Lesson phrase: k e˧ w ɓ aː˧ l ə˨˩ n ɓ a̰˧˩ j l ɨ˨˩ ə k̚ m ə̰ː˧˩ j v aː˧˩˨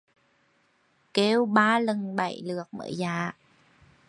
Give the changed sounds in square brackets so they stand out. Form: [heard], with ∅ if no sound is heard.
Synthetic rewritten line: k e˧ w ɓ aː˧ l ə˨˩ n ɓ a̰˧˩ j l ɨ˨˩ ə k̚ m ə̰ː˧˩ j [z] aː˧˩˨